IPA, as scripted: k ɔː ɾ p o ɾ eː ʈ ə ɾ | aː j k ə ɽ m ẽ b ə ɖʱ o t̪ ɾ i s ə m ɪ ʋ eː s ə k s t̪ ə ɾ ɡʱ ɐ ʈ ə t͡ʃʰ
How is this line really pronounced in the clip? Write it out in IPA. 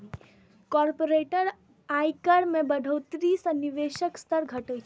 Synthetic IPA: k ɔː ɾ p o ɾ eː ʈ ə ɾ | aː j k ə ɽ m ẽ b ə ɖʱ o t̪ ɾ i s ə n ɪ ʋ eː ʃ ə k s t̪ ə ɾ ɡʱ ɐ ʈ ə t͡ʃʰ